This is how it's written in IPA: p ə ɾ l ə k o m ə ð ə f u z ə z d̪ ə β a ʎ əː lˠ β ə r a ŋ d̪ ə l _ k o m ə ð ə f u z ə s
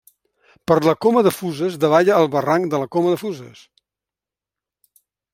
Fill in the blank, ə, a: ə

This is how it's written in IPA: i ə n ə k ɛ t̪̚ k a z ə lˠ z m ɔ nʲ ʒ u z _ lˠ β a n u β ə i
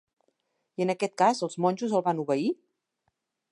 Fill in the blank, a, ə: ə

